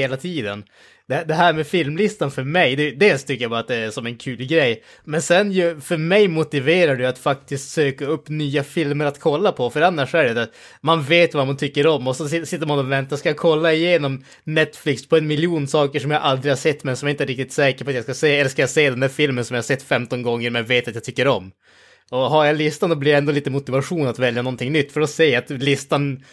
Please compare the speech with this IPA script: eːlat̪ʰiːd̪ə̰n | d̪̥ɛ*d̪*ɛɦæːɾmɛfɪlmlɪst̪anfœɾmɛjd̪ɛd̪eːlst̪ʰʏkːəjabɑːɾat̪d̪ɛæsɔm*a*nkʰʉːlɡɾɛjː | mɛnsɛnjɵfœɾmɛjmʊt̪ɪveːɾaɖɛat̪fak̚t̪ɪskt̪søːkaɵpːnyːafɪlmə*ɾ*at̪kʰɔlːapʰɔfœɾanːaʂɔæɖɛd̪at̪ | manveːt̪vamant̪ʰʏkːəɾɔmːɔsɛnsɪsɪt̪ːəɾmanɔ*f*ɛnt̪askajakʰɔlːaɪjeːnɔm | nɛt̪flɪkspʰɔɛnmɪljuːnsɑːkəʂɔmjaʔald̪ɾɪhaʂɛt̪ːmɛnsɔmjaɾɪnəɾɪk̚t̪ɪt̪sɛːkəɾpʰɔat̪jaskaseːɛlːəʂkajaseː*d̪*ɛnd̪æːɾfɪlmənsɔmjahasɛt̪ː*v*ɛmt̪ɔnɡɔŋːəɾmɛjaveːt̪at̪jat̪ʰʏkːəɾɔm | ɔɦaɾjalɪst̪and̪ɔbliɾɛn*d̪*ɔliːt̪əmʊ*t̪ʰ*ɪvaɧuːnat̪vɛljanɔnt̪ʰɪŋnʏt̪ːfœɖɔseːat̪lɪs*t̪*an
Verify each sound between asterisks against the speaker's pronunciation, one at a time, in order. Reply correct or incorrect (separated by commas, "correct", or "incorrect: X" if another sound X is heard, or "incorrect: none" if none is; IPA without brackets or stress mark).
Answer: correct, incorrect: ɛ, correct, incorrect: v, correct, incorrect: f, correct, incorrect: t̪, correct